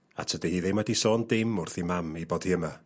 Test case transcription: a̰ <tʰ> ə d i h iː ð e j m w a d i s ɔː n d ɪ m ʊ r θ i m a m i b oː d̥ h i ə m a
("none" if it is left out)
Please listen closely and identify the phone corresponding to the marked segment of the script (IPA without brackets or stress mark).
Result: tʰ